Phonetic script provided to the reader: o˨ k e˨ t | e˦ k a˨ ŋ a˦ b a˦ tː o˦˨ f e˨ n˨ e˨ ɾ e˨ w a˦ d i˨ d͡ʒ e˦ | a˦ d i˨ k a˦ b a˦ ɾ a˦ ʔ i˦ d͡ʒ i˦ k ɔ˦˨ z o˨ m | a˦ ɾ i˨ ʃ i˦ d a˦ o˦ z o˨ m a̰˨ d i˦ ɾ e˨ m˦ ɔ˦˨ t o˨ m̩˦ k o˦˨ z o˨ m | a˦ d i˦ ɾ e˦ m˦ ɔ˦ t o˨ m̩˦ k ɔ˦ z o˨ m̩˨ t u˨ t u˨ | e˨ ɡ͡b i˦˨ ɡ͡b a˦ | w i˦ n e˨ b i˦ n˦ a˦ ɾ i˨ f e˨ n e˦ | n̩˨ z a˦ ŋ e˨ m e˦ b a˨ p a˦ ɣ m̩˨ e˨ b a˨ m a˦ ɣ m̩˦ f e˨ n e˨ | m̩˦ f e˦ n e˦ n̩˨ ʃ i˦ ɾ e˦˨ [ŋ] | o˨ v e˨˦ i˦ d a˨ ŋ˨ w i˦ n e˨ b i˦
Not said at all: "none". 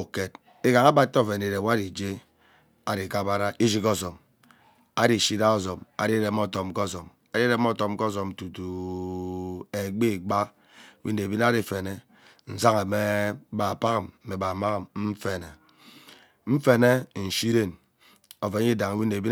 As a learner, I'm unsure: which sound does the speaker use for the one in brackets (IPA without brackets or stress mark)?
n